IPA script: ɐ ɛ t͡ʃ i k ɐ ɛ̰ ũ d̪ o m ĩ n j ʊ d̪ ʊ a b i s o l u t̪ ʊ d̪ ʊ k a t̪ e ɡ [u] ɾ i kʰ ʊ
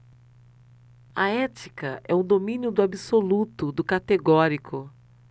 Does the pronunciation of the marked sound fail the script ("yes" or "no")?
yes